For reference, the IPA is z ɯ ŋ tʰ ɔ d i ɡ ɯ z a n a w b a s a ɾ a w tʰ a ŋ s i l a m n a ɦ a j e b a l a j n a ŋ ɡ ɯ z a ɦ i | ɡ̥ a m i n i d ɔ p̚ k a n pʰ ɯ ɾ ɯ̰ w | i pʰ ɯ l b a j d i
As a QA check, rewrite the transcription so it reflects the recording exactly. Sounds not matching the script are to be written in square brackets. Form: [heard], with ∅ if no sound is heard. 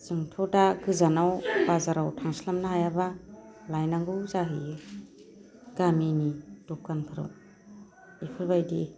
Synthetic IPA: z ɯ ŋ tʰ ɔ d [a] ɡ ɯ z a n a w b a [z] a ɾ a w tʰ a ŋ s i l a m n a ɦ a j [a] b a l a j n a ŋ ɡ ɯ z a ɦ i | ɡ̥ a m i n i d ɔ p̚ k a n pʰ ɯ ɾ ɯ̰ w | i pʰ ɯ l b a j d i